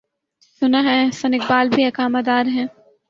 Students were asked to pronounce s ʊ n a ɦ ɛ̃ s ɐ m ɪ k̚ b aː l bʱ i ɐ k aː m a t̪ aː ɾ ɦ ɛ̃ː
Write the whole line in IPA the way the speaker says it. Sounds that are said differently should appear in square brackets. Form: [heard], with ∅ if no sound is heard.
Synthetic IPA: s ʊ n a ɦ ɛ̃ s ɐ [n] ɪ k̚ b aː l bʱ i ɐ k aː m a [d̪] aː ɾ ɦ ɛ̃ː